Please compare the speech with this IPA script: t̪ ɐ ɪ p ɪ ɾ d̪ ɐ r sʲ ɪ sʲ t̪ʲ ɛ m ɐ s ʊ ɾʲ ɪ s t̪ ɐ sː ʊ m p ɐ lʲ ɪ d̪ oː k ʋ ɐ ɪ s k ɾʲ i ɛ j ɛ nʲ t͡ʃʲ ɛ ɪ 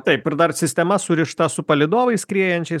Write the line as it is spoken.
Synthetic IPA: t̪ ɐ ɪ p ɪ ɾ d̪ ɐ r sʲ ɪ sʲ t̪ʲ ɛ m ɐ s ʊ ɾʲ ɪ ʃ t̪ ɐ s ʊ p ɐ lʲ ɪ d̪ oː ʋ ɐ ɪ s k ɾʲ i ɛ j ɛ nʲ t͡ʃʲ ɛ ɪ